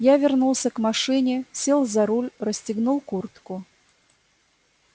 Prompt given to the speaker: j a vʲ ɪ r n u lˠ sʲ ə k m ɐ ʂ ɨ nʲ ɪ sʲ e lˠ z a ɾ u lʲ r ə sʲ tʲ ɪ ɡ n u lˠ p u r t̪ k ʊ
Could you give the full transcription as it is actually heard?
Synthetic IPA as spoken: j a vʲ ɪ r n u lˠ sʲ ə k m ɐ ʂ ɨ nʲ ɪ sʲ e lˠ z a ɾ u lʲ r ə sʲ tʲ ɪ ɡ n u lˠ k u r t̪ k ʊ